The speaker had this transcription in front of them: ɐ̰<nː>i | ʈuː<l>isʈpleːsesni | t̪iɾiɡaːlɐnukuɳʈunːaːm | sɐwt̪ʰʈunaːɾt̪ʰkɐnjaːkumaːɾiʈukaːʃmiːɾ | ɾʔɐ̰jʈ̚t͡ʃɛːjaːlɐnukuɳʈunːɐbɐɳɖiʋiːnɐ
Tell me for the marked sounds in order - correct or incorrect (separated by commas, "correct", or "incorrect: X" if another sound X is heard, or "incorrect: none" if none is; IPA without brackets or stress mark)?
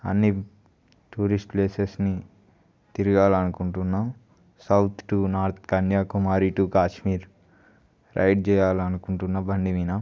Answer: correct, incorrect: ɾ